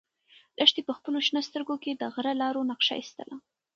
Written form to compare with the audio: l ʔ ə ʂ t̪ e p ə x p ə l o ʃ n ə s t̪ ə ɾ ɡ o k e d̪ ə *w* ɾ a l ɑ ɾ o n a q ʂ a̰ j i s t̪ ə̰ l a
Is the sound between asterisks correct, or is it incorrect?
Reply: incorrect